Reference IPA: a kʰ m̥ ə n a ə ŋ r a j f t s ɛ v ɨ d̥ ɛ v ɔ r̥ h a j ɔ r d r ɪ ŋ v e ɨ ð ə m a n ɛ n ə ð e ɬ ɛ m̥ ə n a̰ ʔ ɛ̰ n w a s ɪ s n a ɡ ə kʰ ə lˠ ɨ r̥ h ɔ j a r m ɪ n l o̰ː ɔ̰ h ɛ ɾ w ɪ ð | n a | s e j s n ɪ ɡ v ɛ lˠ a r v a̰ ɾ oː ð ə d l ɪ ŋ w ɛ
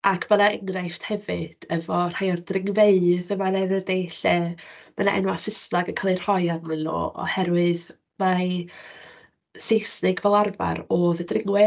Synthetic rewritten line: a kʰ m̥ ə n a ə ŋ r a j f t h ɛ v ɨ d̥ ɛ v ɔ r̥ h a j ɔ r d r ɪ ŋ v e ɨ ð ə m a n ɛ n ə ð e ɬ ɛ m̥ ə n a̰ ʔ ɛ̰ n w a s ɪ s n a ɡ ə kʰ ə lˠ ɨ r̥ h ɔ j a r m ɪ n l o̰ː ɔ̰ h ɛ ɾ w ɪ ð | m a | s e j s n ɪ ɡ v ɛ lˠ a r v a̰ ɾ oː ð ə d r ɪ ŋ w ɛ